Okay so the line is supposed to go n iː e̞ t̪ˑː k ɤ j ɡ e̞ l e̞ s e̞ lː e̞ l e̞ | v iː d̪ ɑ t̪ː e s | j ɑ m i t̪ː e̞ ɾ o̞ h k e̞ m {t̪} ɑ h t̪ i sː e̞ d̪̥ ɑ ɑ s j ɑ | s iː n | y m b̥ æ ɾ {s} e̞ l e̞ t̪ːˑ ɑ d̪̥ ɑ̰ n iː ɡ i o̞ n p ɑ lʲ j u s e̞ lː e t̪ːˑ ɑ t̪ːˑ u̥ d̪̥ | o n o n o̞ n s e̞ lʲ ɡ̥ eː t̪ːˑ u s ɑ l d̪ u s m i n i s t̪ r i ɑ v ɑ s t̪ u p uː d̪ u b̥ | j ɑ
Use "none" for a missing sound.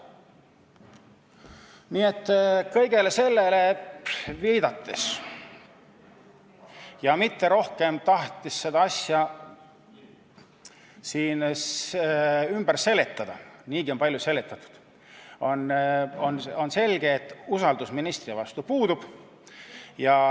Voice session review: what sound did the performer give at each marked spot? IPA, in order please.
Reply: t̪, s

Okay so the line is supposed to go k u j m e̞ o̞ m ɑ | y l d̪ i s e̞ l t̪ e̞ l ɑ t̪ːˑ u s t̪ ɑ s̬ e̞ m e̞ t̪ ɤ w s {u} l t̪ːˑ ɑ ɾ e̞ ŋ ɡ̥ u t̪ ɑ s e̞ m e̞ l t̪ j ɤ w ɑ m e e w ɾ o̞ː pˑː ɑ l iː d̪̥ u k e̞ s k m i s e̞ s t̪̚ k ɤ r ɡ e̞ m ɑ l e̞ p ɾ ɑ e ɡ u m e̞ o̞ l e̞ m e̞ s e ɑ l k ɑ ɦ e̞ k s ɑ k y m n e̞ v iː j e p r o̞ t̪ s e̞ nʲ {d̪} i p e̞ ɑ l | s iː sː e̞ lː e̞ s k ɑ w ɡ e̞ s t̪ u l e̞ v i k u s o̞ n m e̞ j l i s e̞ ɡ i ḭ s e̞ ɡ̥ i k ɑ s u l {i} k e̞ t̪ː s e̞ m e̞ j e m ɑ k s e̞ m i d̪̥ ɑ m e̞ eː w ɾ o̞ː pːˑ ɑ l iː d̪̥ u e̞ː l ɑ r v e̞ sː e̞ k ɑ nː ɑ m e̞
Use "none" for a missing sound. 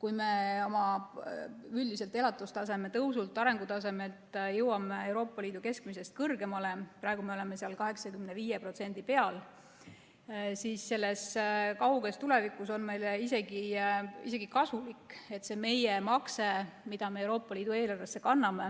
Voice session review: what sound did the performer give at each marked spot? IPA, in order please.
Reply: u, d̪, i

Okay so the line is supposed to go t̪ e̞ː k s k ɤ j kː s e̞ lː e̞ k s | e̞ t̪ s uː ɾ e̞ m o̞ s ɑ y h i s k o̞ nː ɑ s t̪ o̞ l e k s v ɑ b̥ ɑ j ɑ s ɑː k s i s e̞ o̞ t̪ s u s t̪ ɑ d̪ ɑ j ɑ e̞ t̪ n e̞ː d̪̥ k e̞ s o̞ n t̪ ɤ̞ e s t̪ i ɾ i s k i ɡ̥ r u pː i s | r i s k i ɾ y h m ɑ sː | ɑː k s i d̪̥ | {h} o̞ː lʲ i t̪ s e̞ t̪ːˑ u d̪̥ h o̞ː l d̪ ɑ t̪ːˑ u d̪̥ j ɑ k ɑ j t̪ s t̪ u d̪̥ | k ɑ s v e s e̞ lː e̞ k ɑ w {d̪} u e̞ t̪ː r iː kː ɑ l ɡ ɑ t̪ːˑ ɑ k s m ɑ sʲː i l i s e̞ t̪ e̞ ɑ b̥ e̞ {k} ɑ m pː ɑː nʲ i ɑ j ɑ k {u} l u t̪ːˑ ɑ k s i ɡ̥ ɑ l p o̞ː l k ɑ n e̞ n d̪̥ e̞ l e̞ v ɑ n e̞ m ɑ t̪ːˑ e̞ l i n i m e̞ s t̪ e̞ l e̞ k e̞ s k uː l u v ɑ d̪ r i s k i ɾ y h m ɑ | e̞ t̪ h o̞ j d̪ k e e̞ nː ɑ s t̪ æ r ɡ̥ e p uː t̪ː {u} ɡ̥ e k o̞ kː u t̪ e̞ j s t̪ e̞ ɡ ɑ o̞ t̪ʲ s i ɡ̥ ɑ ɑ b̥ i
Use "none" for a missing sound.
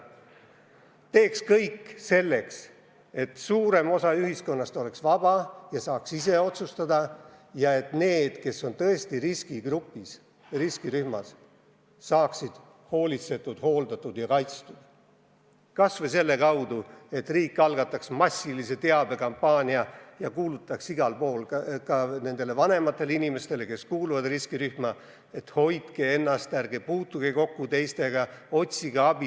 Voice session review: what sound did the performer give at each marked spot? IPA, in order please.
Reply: h, d̪, k, uː, u

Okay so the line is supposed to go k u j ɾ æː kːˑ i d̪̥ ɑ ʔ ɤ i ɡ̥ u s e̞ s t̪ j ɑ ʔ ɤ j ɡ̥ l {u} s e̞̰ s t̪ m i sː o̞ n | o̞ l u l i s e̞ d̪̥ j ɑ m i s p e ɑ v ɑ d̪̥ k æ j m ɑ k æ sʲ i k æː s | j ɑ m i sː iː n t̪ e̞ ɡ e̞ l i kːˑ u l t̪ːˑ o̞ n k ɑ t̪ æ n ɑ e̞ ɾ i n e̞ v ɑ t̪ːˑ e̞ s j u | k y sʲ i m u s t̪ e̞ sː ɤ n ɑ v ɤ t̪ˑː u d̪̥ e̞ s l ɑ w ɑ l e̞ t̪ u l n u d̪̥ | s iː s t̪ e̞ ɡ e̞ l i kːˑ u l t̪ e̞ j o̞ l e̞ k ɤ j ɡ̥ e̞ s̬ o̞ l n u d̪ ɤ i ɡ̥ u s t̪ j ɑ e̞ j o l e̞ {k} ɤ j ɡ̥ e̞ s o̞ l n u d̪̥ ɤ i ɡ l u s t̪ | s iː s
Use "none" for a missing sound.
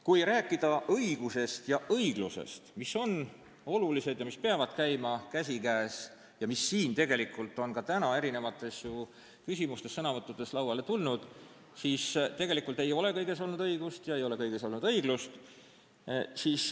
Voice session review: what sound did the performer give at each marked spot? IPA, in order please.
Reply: u, k

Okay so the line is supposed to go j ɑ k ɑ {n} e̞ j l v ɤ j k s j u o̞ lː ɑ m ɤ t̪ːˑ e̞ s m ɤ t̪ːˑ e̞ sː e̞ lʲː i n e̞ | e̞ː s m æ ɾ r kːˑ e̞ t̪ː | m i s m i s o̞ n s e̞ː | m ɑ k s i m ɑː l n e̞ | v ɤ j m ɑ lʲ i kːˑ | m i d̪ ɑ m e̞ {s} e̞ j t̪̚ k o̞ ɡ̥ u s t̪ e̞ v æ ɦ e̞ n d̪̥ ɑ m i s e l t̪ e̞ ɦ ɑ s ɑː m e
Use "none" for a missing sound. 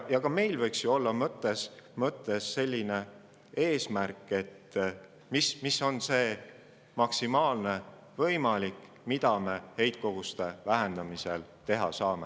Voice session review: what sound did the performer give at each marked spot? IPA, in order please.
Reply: m, h

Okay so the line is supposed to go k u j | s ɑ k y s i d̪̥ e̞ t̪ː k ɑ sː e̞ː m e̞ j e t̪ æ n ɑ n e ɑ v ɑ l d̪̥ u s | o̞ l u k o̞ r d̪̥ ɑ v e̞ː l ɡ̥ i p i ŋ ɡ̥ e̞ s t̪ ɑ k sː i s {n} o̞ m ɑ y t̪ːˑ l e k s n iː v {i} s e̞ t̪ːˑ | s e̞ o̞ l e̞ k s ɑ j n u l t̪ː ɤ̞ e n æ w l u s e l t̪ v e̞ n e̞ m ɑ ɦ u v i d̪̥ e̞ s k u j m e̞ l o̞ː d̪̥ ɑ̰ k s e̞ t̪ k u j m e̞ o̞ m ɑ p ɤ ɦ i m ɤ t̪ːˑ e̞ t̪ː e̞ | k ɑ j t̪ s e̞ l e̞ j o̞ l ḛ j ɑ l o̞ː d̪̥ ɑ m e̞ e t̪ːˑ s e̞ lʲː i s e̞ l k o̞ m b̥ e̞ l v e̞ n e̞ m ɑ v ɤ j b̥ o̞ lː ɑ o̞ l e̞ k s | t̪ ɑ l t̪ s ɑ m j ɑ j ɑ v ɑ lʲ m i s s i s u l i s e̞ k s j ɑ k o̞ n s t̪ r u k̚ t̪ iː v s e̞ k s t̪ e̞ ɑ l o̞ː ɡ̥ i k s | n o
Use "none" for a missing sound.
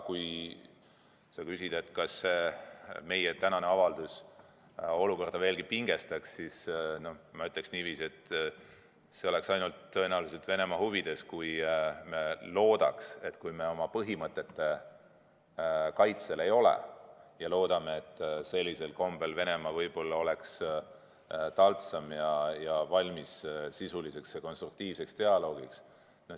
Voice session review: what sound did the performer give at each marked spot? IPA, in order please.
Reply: n, iː

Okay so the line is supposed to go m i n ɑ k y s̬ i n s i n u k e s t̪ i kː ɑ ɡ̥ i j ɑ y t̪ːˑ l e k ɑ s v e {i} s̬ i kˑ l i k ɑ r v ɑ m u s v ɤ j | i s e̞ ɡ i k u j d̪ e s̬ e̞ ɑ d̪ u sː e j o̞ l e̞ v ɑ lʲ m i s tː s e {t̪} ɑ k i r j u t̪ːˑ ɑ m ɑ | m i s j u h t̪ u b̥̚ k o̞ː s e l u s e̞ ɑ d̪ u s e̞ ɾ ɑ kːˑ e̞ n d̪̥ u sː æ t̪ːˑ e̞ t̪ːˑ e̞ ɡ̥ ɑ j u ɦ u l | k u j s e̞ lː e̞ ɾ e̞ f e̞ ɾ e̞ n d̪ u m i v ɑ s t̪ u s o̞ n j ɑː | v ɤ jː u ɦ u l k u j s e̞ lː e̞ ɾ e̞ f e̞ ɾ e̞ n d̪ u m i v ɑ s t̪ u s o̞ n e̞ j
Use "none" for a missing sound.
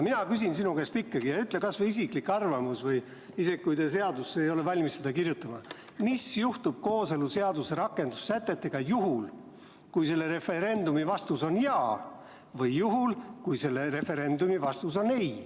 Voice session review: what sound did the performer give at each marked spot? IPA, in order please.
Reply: i, d̪

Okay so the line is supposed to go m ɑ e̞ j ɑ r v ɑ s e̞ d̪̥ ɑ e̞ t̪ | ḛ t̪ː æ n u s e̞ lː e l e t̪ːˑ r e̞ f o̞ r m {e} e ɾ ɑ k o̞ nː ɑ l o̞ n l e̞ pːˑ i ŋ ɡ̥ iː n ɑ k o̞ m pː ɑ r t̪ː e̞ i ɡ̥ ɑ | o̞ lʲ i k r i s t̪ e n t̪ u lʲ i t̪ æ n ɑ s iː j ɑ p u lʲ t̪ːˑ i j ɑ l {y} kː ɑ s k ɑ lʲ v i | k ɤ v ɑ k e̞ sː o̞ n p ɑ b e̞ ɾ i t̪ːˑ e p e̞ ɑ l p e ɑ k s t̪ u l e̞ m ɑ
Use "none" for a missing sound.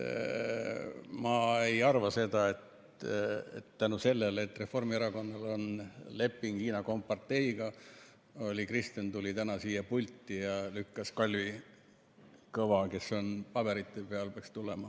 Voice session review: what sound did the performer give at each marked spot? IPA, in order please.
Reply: i, y

